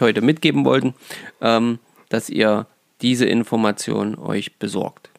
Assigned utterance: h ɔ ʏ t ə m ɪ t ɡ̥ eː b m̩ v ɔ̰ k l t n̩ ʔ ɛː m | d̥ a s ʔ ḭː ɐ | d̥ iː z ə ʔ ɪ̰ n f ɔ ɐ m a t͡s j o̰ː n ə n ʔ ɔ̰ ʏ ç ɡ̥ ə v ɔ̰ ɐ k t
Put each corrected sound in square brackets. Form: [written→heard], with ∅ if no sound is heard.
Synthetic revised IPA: h ɔ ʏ t ə m ɪ t ɡ̥ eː b m̩ v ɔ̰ [k→∅] l t n̩ ʔ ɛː m | d̥ a s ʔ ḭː ɐ | d̥ iː z ə ʔ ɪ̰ n f ɔ ɐ m a t͡s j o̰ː n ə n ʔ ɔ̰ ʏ ç [ɡ̥→b̥] ə [v→z] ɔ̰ ɐ k t